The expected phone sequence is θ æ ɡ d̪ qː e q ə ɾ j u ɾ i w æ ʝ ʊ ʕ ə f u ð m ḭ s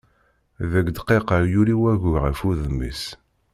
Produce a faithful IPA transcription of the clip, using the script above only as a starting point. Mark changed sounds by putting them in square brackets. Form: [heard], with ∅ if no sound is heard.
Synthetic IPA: [ð] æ ɡ d̪ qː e q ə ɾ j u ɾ i w æ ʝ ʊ [ʁ] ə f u ð m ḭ s

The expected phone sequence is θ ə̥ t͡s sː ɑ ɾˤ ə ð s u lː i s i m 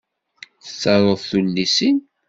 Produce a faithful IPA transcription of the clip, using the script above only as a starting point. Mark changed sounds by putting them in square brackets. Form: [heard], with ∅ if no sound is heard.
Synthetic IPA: θ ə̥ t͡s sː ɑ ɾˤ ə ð [θ] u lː i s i [n]

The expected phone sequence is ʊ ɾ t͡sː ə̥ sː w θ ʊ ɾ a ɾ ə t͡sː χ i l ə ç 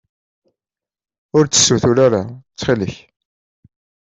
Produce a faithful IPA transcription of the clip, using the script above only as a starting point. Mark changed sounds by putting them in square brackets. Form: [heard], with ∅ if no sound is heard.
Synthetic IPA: ʊ ɾ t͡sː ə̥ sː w θ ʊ ɾ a ɾ [a] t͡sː χ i l ə ç

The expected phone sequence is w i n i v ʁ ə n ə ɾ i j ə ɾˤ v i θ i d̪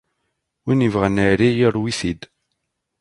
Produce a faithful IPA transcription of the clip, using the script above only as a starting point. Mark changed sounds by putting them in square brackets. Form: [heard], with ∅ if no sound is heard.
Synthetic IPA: w i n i v ʁ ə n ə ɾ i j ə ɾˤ [w] i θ i d̪

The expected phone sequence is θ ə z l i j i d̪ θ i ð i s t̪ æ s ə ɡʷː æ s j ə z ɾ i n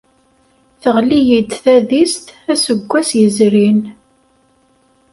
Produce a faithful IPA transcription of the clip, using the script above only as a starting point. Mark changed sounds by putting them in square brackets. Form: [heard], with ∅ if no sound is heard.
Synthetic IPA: θ ə [ʁ] l i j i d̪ θ [æ] ð i s t̪ æ s ə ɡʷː æ s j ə z ɾ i n

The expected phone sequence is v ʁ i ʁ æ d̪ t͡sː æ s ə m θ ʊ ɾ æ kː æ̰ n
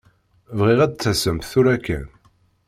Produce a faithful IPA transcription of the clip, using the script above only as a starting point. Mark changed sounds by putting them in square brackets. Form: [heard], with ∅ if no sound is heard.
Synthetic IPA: v ʁ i ʁ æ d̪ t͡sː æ s ə m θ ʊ ɾ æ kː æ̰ n

